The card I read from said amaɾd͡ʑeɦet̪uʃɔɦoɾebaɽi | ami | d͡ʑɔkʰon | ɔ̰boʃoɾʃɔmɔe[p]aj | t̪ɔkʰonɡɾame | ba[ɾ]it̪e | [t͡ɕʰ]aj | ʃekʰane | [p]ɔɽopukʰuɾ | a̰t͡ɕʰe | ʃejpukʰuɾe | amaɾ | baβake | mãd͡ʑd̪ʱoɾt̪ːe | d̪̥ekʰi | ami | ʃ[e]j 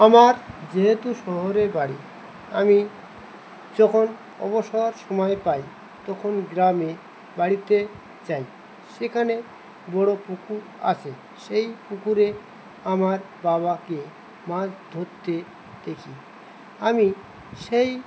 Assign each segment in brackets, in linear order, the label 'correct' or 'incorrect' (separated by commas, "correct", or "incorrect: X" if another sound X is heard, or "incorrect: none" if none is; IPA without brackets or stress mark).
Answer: correct, incorrect: ɽ, incorrect: t͡ɕ, incorrect: b, correct